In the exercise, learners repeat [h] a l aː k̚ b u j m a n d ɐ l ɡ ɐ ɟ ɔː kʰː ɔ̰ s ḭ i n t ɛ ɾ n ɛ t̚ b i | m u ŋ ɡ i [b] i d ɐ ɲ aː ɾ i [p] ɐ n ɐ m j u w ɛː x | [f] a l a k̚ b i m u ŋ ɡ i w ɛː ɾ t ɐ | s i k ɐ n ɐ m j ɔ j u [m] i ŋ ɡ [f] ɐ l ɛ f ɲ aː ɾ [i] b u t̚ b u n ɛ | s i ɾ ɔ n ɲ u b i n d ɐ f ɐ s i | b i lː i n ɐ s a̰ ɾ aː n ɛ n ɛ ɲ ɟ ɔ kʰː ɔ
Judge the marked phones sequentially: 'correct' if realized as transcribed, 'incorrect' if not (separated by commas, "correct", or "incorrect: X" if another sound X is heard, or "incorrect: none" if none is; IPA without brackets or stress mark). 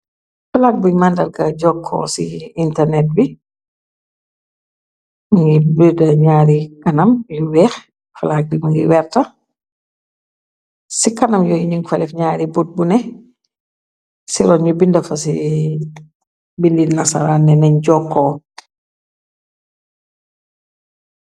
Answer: incorrect: f, correct, incorrect: k, correct, incorrect: ɲ, correct, correct